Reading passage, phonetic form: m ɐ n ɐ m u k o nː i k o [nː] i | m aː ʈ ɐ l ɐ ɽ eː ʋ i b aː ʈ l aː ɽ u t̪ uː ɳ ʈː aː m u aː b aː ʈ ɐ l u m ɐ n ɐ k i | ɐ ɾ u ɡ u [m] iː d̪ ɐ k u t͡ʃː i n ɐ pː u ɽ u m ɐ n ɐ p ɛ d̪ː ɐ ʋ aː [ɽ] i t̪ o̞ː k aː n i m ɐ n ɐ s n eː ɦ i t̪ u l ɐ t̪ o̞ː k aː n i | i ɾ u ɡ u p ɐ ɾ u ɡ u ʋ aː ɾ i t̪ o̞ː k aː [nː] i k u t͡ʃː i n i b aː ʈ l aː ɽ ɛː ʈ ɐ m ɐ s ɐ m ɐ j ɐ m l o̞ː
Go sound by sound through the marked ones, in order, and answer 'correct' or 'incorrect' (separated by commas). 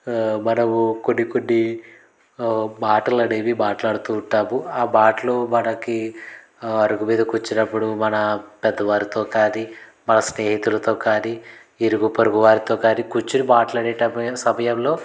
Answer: correct, correct, incorrect, incorrect